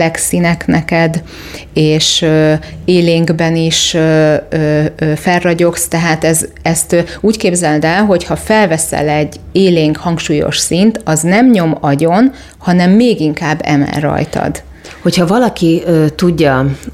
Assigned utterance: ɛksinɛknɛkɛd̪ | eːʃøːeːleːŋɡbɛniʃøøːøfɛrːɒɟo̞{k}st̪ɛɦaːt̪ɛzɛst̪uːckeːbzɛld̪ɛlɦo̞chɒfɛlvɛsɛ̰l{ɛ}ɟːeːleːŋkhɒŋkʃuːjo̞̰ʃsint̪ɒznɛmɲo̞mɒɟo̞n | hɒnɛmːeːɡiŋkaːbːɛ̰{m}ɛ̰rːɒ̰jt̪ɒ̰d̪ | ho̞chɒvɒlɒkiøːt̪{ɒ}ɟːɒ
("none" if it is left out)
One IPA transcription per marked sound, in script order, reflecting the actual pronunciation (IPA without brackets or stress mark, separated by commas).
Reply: k, ɛ, m, u